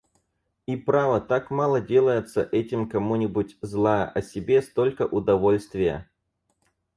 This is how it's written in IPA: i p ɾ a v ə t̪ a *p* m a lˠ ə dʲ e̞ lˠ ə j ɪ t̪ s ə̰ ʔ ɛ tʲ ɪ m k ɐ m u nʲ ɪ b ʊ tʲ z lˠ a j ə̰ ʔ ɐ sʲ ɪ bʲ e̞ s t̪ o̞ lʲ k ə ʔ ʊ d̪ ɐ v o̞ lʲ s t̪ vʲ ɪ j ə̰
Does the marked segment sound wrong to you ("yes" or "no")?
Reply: yes